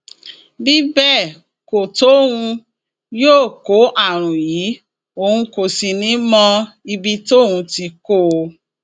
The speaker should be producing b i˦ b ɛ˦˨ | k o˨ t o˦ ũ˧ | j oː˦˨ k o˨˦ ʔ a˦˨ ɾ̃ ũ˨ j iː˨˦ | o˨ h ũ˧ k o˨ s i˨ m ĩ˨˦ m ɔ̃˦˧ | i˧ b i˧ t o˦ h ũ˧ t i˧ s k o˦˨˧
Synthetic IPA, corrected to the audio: b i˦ b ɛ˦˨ | k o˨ t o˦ ũ˧ | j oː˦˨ k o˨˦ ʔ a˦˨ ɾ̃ ũ˨ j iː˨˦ | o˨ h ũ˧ k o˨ s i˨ n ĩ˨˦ m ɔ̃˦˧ | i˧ b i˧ t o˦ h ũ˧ t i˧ k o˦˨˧

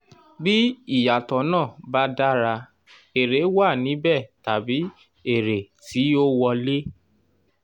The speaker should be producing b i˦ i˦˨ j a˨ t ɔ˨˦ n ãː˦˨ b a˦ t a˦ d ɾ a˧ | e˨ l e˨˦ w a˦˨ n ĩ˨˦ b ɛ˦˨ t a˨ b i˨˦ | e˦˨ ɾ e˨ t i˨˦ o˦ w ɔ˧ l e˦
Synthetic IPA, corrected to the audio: b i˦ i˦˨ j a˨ t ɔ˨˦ n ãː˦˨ b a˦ d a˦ ɾ a˧ | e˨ ɾ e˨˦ w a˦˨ n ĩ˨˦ b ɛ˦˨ t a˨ b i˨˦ | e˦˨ ɾ e˨ t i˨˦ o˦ w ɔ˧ l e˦

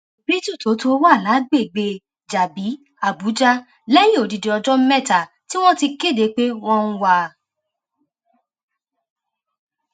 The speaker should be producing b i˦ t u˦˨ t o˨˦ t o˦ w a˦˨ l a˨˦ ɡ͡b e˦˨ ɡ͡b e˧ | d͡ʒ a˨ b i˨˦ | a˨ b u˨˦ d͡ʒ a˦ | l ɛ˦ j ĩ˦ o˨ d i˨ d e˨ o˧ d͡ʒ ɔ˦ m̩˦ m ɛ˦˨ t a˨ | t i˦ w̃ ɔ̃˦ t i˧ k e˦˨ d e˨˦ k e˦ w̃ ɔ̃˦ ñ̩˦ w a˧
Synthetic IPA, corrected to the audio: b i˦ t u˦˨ t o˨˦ t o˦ w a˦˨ l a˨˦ ɡ͡b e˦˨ ɡ͡b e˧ | d͡ʒ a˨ b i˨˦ | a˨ b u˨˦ d͡ʒ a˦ | l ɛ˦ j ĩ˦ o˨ d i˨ d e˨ ɔ˧ d͡ʒ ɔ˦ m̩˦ m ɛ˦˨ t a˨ | t i˦ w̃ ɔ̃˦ t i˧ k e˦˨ d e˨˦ k͡p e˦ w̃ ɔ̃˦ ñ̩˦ w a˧

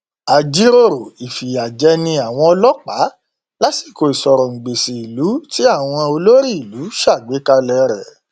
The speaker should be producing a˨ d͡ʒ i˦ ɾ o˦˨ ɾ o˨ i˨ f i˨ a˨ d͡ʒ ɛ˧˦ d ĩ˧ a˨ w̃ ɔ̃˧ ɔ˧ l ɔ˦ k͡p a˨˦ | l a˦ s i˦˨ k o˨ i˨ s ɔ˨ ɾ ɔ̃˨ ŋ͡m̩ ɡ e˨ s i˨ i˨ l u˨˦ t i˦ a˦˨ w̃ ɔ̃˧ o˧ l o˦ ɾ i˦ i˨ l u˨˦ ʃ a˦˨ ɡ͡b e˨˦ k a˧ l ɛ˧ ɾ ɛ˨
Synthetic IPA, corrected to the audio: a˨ d͡ʒ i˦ ɾ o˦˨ ɾ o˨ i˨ f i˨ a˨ d͡ʒ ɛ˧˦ n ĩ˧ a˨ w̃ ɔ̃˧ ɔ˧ l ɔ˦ k͡p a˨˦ | l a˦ s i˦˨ k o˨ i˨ s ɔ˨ ɾ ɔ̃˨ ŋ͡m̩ ɡ͡b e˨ s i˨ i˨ l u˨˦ t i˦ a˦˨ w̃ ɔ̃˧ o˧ l o˦ ɾ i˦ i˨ l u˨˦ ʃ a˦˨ ɡ͡b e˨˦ k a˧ l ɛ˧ ɾ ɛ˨

